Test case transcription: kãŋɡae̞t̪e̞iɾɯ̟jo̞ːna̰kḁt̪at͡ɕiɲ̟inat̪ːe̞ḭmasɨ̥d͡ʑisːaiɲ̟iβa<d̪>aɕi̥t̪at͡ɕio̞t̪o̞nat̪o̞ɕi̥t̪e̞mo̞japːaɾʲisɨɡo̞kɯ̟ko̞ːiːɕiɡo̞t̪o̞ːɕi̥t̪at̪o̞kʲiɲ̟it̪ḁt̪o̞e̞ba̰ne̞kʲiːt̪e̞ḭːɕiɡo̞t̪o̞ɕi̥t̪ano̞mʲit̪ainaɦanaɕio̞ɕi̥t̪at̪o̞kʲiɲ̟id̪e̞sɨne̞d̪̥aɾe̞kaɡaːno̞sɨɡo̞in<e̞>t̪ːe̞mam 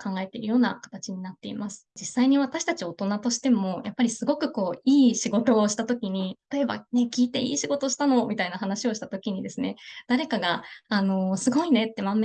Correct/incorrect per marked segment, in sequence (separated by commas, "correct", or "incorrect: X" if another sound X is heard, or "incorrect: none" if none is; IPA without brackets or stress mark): incorrect: t̪, correct